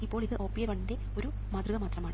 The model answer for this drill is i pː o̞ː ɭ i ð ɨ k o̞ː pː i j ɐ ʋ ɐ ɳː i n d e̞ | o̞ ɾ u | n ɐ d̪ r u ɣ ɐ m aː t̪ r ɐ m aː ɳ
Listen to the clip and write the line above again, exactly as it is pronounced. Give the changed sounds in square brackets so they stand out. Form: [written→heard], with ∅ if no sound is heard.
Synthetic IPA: i pː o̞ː ɭ i ð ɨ [k→ʔ] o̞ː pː i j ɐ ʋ ɐ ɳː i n d e̞ | o̞ ɾ u | [n→m] ɐ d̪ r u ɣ ɐ m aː t̪ r ɐ m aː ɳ